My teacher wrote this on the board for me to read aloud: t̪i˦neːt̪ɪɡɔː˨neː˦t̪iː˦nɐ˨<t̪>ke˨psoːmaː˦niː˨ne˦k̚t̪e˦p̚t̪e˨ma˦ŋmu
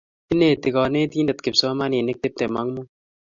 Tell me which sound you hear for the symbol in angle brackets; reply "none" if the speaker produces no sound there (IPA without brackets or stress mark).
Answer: t̪